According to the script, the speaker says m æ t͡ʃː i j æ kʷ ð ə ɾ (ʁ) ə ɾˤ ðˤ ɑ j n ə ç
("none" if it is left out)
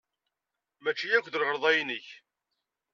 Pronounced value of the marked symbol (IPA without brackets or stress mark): ʁ